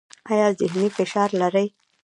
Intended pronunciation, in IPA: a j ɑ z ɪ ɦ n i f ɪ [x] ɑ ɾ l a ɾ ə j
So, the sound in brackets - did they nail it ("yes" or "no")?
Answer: no